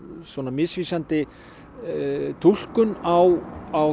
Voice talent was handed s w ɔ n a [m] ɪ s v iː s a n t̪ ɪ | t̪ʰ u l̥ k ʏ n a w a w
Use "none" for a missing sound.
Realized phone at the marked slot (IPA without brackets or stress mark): m